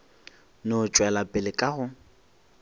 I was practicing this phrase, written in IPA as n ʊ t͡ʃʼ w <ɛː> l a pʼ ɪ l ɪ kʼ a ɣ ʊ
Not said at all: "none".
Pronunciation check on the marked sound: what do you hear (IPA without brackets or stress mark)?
ɛ